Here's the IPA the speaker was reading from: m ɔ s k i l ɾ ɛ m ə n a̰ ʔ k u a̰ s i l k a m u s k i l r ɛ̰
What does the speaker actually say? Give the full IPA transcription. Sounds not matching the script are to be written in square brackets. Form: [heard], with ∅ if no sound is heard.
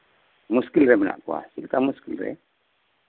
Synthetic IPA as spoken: m [u] s k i l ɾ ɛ m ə n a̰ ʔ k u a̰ s i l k a m u s k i l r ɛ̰